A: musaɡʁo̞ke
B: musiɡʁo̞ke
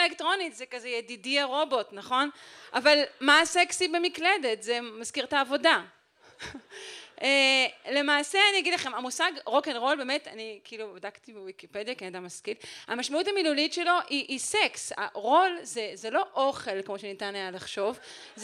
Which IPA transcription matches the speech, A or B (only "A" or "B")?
A